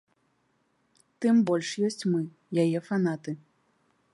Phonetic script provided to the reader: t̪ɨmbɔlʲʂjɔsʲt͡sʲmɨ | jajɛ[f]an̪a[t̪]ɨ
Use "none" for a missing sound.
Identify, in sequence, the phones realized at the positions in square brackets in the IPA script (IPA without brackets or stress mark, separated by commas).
f, t̪